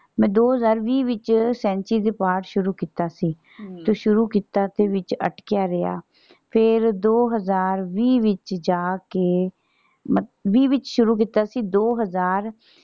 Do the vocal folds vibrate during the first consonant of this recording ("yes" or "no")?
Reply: yes